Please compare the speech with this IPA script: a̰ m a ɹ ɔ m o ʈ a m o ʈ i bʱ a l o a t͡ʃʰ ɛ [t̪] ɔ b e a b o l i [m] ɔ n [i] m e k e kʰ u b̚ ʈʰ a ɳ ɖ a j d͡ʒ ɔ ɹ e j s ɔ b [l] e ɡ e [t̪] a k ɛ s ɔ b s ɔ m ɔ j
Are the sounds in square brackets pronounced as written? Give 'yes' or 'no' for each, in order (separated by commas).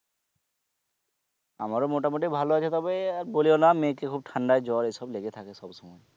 yes, no, no, yes, no